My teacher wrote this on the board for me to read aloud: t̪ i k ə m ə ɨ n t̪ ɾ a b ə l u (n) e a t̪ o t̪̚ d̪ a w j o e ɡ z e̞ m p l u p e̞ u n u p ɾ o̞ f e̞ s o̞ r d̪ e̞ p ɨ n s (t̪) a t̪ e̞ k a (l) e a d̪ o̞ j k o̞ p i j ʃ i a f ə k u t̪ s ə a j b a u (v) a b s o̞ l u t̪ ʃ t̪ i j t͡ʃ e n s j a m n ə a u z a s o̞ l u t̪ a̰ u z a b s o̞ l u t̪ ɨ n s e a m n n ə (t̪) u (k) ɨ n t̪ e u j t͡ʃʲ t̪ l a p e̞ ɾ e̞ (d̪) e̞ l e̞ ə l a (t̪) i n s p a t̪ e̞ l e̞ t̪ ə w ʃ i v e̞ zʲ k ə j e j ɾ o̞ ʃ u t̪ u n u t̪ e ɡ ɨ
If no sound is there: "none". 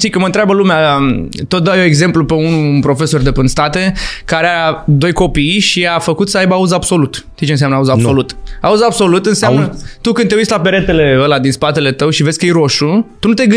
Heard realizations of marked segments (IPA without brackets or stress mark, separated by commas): m, t̪, ɾ, z, t̪, k, t̪, d̪